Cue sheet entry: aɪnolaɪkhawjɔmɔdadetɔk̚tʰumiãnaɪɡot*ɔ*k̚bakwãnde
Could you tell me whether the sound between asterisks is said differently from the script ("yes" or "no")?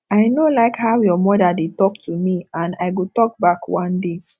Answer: no